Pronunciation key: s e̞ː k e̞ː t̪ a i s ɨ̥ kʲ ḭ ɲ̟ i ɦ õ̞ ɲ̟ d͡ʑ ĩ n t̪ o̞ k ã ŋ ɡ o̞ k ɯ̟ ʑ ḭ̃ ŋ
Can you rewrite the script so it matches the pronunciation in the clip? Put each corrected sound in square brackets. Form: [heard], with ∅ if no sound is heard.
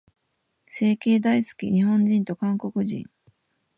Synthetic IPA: s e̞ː k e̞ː [d̪] a i s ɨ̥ kʲ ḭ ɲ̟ i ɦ õ̞ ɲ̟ d͡ʑ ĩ n t̪ o̞ k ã ŋ [k] o̞ k ɯ̟ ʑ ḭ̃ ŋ